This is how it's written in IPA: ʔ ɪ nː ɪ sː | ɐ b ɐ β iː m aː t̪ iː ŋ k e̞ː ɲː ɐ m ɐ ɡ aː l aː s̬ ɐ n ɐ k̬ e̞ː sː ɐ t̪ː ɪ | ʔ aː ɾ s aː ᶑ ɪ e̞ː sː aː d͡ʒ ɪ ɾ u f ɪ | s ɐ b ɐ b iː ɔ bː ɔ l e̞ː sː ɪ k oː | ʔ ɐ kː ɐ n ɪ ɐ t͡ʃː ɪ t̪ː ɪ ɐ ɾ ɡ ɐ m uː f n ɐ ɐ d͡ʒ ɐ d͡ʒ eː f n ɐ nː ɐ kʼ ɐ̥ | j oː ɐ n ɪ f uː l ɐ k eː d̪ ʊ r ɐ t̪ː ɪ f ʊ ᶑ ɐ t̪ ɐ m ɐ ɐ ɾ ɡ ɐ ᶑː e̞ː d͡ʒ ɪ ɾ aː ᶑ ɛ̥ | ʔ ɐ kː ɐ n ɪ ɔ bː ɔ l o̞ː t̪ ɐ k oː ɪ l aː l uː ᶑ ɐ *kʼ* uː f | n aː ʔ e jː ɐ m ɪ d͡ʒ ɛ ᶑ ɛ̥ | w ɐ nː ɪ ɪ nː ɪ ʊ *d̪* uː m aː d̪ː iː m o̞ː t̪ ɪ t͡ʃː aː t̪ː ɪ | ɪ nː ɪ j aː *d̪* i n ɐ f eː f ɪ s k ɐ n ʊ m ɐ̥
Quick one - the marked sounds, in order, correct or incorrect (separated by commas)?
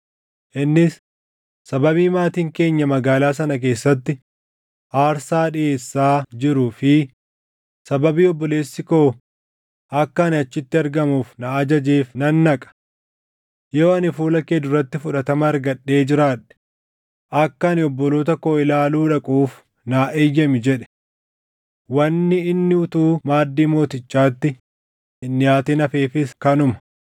correct, incorrect, incorrect